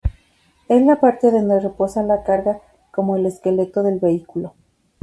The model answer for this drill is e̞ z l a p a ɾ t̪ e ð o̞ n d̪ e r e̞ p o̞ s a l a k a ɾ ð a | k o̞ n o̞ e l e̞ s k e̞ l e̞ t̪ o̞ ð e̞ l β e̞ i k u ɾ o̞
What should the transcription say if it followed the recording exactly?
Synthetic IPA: e̞ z l a p a ɾ t̪ e ð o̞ n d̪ e r e̞ p o̞ s a l a k a ɾ ɣ a | k o̞ m o̞ e l e̞ s k e̞ l e̞ t̪ o̞ ð e̞ l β e̞ i k u l o̞